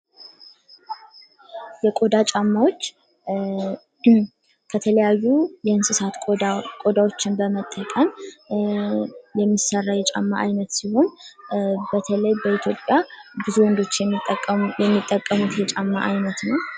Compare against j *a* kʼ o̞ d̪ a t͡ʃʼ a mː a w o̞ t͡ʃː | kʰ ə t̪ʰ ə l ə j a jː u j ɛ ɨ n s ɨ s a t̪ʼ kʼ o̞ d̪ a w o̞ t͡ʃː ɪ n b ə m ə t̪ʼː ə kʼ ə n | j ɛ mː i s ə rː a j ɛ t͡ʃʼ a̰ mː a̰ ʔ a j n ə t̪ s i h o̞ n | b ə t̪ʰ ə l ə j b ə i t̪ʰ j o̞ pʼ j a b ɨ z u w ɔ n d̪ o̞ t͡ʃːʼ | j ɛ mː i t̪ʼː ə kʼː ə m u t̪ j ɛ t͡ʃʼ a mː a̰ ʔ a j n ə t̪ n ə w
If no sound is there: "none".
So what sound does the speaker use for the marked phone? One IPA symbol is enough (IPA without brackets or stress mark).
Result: ɛ